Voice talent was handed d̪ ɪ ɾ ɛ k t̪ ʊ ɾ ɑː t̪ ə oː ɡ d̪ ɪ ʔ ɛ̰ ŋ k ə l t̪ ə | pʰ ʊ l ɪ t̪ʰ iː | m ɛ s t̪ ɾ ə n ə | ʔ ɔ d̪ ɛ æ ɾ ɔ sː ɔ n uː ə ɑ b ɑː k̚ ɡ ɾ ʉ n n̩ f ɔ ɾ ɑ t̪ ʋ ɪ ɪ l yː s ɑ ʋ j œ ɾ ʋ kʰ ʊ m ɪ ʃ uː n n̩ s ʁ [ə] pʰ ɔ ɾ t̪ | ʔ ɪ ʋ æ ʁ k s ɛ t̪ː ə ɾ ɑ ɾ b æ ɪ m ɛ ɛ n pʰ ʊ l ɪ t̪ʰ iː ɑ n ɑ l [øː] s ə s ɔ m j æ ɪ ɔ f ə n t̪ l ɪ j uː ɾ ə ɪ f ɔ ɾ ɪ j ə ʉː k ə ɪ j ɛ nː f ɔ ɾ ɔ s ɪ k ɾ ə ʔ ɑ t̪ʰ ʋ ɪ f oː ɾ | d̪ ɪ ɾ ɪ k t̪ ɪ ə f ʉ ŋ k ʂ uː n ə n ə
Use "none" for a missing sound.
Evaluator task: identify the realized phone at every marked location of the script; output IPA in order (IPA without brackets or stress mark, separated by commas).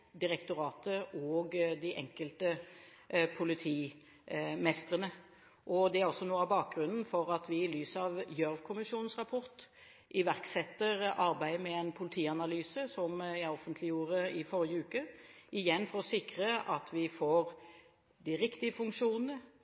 ɑ, yː